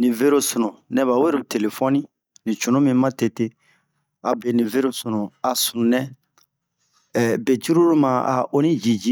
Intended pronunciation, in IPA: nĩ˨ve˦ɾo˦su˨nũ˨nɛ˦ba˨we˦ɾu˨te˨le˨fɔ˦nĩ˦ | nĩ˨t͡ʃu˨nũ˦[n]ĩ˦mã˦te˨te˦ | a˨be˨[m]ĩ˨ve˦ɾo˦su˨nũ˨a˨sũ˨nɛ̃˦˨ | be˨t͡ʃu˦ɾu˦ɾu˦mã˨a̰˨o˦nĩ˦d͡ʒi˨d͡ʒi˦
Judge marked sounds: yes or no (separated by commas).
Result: no, no